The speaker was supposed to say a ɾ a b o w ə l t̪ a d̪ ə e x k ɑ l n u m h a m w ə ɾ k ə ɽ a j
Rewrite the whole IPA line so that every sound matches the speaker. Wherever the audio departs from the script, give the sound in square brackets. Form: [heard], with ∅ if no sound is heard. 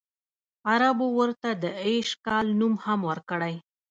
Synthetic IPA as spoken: a ɾ a b o w ə [ɾ] t̪ a d̪ ə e [ʃ] k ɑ l n u m h a m w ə ɾ k ə ɽ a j